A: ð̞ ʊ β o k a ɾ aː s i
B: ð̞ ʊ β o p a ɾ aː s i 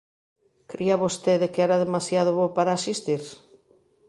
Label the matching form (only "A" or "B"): B